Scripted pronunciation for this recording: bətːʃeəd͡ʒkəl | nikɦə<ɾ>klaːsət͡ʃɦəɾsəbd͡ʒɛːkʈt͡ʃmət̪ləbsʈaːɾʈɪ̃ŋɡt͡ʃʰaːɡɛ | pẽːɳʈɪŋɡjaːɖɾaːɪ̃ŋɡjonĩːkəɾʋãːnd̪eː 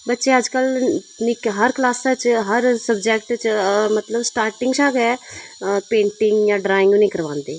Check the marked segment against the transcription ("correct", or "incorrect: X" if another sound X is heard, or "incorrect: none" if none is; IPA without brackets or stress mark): correct